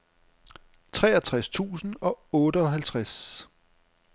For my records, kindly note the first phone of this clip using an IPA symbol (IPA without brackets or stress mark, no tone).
t͡sʰ